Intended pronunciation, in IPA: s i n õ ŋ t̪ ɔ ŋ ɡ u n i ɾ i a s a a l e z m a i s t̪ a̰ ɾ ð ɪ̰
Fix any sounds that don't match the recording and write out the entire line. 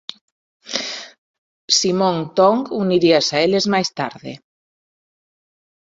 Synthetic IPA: s i m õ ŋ t̪ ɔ ŋ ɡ u n i ɾ i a s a e l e z m a j s t̪ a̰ ɾ ð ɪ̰